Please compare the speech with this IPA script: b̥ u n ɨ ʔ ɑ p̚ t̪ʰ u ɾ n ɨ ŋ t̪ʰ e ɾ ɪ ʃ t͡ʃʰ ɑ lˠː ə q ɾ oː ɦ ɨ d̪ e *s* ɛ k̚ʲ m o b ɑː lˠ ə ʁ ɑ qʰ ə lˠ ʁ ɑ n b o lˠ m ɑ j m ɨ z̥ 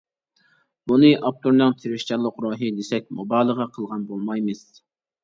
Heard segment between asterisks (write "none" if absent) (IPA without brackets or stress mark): s